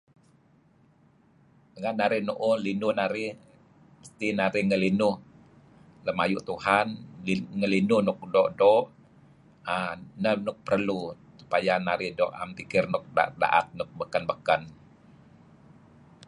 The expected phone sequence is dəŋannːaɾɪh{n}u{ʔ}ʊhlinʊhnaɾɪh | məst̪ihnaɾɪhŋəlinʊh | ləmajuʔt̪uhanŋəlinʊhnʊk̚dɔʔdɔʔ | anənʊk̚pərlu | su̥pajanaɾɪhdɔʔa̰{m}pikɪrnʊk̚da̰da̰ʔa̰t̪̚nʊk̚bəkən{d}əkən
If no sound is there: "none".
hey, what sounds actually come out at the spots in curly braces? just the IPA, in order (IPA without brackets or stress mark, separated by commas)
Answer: n, ʔ, m, b